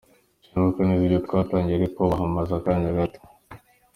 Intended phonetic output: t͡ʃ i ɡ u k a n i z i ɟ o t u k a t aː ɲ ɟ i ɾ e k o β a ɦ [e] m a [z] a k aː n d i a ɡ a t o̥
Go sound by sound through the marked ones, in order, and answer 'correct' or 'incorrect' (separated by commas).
incorrect, correct